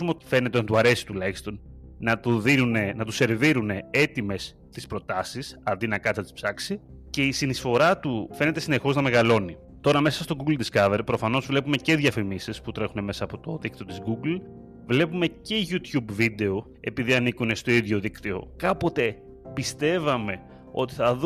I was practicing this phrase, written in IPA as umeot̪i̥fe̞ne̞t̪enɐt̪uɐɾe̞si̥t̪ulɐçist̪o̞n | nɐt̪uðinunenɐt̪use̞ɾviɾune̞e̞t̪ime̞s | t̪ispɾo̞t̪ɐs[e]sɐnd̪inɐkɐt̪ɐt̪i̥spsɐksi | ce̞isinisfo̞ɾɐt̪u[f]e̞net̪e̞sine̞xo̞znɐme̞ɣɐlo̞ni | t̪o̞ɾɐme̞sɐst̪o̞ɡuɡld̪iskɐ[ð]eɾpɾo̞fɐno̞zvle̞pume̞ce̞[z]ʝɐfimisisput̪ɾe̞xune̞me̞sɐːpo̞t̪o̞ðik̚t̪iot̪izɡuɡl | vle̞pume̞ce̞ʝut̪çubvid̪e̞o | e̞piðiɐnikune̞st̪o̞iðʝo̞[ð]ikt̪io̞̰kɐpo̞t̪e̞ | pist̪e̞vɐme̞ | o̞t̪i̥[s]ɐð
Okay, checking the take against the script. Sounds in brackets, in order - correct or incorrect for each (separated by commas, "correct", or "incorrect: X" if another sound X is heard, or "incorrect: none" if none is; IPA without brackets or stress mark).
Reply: incorrect: i, correct, incorrect: v, incorrect: ð, correct, incorrect: θ